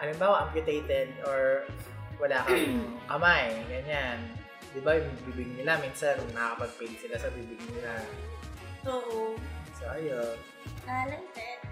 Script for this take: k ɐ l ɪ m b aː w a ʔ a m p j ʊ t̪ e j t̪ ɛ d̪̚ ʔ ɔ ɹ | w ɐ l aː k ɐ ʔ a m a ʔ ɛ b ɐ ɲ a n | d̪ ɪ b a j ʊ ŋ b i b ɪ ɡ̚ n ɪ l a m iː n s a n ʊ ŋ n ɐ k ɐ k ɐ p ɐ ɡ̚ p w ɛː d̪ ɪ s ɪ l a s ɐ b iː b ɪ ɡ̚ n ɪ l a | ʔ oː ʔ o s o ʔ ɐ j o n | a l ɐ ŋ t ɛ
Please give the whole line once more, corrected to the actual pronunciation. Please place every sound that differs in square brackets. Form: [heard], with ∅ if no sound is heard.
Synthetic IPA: [ʔ] ɐ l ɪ m b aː w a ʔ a m p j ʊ t̪ e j t̪ ɛ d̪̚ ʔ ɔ ɹ | w ɐ l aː k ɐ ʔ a m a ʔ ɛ [ɡ] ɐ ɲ a n | d̪ ɪ b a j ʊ ŋ b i b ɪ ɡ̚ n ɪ l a m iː n s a n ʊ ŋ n ɐ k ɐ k ɐ p ɐ ɡ̚ p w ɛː d̪ ɪ s ɪ l a s ɐ b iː b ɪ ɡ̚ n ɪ l a | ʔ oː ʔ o s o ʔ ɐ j o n | a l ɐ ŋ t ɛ